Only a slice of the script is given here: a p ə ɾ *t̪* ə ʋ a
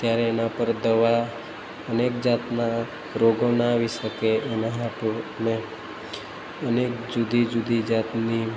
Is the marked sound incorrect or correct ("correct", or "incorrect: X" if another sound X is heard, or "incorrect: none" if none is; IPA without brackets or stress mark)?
incorrect: d̪